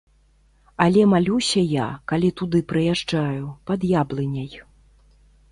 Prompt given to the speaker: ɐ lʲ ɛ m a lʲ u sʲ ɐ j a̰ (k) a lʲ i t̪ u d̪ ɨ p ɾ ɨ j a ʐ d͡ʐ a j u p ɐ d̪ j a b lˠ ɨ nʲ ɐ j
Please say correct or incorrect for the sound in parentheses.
correct